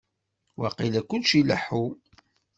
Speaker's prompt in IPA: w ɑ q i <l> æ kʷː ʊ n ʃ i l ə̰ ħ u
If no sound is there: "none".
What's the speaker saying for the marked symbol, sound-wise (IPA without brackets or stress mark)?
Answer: l